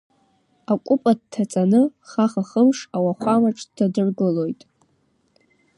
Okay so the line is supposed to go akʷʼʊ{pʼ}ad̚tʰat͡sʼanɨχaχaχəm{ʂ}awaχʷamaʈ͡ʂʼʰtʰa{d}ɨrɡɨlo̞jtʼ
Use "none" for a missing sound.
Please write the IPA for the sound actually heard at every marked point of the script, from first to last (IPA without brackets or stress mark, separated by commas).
pʼ, ʂ, d